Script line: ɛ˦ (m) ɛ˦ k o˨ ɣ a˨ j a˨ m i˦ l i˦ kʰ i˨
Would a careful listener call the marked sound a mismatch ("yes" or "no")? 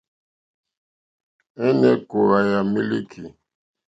yes